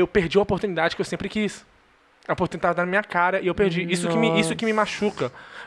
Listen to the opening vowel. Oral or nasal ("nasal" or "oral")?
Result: oral